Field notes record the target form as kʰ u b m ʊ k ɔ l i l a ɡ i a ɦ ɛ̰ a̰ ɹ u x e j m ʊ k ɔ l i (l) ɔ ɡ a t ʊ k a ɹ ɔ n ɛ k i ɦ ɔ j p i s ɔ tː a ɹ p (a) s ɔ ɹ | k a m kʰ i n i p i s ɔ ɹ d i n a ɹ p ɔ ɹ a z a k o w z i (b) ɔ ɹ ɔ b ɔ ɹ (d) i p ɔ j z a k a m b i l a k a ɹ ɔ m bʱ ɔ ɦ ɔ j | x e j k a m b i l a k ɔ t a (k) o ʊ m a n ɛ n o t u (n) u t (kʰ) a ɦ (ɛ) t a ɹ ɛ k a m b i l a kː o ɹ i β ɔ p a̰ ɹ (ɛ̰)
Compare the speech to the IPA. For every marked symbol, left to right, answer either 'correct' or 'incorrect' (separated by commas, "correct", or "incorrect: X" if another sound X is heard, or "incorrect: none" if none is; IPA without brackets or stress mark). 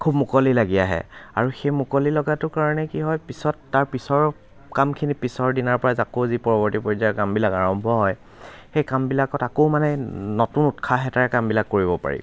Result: correct, incorrect: i, incorrect: p, incorrect: t, correct, correct, correct, correct, incorrect: ḭ